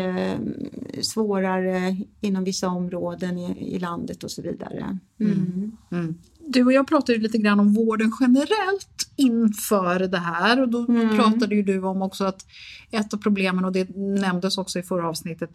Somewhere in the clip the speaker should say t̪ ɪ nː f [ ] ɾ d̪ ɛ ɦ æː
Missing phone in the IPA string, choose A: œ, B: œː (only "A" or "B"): B